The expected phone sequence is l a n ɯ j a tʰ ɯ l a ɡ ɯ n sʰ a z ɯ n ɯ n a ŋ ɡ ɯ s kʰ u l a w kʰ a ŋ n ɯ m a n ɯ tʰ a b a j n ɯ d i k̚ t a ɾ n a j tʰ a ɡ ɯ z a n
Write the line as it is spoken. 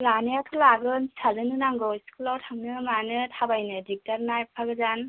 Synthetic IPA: l a n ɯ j a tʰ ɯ l a ɡ ɯ n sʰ a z ɯ n ɯ n a ŋ ɡ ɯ s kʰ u l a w tʰ a ŋ n ɯ m a n ɯ tʰ a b a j n ɯ d i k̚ t a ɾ n a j pʰ a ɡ ɯ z a n